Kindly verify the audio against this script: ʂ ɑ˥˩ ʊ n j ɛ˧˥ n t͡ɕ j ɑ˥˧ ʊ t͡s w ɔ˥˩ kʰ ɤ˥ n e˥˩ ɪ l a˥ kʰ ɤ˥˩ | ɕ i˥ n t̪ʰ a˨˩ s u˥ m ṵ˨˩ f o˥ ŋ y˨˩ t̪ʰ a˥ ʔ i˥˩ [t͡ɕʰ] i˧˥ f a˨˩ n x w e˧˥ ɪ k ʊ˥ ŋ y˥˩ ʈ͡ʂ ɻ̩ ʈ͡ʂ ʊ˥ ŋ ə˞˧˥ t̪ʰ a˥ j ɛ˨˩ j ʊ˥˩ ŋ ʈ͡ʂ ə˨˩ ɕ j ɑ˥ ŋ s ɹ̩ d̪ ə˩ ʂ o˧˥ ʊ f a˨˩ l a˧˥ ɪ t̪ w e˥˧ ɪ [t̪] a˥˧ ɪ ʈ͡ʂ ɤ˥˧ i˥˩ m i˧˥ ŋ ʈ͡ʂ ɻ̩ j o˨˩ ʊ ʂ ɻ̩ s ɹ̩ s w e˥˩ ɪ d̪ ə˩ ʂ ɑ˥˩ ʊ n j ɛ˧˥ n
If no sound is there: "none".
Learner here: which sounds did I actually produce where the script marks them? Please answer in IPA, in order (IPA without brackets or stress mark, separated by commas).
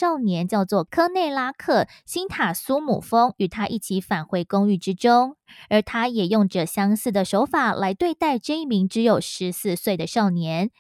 t͡ɕʰ, t̪